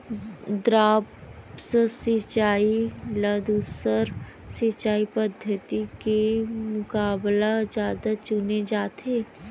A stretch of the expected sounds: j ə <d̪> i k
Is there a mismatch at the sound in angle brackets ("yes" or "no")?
yes